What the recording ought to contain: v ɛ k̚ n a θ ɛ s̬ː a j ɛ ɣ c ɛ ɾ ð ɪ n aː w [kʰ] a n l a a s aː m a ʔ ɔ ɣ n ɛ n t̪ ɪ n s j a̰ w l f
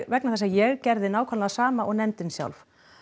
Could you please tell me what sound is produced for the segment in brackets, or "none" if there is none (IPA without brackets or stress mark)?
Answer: kʰ